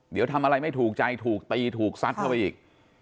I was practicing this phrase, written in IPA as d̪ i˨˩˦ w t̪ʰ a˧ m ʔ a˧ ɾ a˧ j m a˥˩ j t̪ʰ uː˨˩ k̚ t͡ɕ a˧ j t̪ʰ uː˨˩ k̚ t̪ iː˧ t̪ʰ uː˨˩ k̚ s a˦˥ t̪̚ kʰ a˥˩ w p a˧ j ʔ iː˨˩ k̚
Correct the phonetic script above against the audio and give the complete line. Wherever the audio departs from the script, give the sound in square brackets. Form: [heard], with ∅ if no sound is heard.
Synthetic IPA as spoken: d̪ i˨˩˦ w t̪ʰ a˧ m ʔ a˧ ɾ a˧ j m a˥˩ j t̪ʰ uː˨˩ k̚ t͡ɕ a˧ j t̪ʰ uː˨˩ k̚ t̪ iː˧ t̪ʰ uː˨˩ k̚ s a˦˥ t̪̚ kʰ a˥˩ w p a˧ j ʔ iː˨˩ k̚